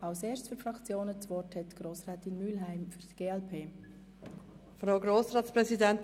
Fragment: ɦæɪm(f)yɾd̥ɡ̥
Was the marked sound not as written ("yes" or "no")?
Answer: no